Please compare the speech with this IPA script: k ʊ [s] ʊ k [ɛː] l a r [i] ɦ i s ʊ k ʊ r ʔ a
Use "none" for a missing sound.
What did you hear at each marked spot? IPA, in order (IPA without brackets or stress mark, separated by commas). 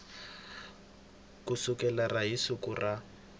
s, ɛ, a